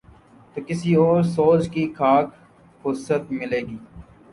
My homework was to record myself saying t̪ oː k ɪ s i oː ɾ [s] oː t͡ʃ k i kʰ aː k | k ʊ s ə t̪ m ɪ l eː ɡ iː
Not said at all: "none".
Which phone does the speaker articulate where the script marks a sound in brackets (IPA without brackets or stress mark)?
s